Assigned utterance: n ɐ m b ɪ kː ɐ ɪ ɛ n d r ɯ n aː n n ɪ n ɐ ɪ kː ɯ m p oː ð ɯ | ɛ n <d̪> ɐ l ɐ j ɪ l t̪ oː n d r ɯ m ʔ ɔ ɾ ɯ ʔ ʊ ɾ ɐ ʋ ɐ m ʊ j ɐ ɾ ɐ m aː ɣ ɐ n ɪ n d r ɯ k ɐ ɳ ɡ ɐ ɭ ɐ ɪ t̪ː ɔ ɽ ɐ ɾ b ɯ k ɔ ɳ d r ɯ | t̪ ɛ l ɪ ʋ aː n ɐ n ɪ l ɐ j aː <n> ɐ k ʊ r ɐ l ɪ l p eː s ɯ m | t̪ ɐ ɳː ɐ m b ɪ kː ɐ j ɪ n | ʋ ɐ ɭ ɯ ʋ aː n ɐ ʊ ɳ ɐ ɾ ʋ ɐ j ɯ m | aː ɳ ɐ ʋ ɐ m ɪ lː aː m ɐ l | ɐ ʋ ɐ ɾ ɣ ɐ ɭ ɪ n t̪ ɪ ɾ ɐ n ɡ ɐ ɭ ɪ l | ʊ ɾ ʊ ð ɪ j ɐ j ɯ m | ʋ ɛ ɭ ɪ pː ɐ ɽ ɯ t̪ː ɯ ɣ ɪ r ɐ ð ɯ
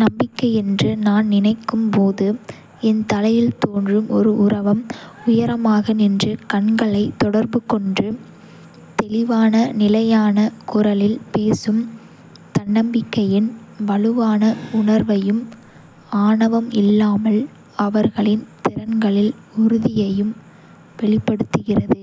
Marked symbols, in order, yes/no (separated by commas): no, yes